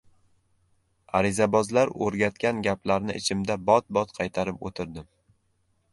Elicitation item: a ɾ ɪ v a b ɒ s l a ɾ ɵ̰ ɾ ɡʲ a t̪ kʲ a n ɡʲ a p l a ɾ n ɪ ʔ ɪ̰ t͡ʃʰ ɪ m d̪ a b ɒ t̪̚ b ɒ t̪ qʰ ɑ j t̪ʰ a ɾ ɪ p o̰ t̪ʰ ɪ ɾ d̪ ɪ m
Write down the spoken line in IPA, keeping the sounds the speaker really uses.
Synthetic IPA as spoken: a ɾ ɪ z a b ɒ z l a ɾ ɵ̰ ɾ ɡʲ a t̪ kʲ a n ɡʲ a p l a ɾ n ɪ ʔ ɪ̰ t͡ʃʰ ɪ m d̪ a b ɒ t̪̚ b ɒ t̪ qʰ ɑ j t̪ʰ a ɾ ɪ p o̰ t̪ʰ ɪ ɾ d̪ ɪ m